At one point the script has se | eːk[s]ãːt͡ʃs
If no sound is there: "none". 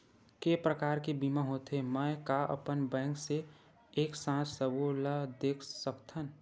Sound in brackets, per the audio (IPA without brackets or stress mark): s